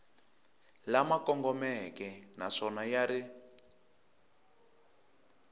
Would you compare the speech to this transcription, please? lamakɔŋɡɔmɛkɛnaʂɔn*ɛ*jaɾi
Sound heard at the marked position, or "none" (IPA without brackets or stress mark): a